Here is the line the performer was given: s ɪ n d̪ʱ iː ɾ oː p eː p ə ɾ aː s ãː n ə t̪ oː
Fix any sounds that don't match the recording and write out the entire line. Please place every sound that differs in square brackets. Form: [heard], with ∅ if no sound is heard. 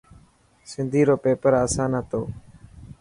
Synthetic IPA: s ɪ n d̪ʱ iː ɾ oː p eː p ə ɾ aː s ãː n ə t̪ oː